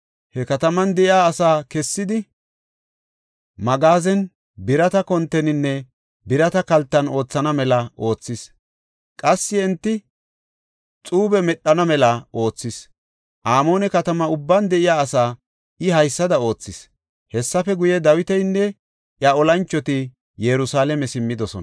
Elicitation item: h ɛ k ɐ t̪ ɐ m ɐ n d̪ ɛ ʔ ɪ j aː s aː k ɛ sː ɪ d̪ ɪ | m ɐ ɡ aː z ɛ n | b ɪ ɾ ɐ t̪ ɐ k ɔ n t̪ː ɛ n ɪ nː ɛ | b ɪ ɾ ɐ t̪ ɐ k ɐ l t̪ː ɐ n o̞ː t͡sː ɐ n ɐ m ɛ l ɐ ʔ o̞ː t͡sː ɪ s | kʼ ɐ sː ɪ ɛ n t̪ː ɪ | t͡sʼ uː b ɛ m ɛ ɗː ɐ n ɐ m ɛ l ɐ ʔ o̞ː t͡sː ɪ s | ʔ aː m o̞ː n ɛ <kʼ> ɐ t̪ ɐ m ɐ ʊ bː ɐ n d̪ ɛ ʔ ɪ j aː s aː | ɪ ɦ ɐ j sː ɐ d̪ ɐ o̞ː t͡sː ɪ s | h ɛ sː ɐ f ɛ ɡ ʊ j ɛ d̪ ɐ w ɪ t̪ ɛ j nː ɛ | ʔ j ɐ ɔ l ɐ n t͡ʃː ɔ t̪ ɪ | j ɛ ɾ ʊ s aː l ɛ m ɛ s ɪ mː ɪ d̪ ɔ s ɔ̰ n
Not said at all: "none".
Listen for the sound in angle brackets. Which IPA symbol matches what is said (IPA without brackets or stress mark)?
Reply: k